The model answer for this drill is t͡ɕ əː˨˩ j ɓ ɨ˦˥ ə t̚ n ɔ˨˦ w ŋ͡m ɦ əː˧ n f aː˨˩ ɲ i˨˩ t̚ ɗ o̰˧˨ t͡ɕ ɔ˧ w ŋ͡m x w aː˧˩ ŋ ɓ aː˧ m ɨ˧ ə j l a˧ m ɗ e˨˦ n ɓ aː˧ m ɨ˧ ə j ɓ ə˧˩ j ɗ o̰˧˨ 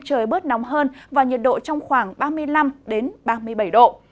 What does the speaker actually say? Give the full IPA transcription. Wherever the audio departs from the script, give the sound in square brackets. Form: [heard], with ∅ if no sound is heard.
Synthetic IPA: t͡ɕ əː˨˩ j ɓ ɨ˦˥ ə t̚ n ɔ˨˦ w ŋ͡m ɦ əː˧ n [v] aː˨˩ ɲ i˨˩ t̚ ɗ o̰˧˨ t͡ɕ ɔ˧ w ŋ͡m x w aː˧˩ ŋ ɓ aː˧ m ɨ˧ ə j l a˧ m ɗ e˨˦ n ɓ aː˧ m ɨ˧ ə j ɓ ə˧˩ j ɗ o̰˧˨